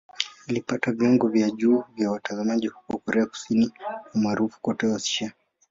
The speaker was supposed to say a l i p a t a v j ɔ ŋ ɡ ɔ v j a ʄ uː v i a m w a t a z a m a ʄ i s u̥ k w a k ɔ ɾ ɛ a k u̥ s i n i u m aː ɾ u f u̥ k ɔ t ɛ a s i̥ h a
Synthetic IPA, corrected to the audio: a l i p a t a v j ɔ ŋ ɡ ɔ v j a ʄ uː v j a w a t a z a m a ʄ i h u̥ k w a k ɔ ɾ ɛ a k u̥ s i n i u m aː ɾ u f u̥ k ɔ t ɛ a s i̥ ʃ a